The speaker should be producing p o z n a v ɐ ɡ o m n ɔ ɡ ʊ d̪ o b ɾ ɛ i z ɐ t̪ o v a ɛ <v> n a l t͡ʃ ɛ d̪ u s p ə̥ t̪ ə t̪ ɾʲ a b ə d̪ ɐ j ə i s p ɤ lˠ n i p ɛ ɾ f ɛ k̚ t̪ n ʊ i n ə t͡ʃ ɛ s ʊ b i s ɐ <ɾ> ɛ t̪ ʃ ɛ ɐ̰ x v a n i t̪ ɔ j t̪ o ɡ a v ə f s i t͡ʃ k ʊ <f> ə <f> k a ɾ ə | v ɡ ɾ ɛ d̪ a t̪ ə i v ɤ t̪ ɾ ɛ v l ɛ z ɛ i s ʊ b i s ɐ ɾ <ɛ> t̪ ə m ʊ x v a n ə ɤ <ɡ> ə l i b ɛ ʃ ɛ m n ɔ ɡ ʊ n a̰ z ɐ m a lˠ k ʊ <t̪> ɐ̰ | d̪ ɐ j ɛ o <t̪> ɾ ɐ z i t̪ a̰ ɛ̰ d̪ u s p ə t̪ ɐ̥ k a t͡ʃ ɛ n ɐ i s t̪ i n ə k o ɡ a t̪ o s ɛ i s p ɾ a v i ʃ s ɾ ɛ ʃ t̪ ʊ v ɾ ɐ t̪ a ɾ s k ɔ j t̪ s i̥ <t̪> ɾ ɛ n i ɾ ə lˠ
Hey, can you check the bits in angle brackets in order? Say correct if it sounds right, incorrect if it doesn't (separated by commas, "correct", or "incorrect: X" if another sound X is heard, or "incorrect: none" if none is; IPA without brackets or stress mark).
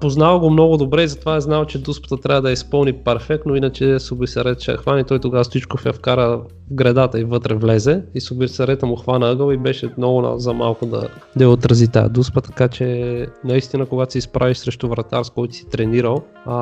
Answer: incorrect: z, correct, correct, correct, correct, correct, incorrect: d̪, correct, correct